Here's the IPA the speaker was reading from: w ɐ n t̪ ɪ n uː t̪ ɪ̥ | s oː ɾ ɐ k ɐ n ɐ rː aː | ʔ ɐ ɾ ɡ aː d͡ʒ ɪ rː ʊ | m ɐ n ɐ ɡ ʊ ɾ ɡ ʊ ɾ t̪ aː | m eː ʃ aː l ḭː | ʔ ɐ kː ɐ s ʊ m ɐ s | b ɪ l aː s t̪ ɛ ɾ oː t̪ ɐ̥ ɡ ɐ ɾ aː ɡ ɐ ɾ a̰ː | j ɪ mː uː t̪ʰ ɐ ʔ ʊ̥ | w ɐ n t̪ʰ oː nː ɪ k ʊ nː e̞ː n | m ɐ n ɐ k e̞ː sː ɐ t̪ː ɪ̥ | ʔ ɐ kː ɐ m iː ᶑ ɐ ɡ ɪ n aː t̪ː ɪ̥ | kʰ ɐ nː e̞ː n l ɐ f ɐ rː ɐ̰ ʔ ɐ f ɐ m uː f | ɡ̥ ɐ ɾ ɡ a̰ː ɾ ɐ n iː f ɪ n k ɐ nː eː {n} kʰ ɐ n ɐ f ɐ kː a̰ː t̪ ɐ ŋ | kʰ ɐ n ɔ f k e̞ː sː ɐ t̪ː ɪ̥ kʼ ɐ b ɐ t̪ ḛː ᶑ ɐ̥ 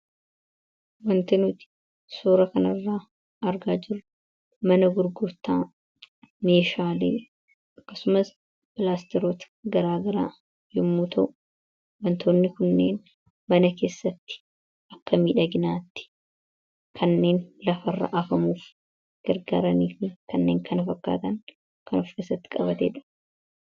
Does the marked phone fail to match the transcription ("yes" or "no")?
yes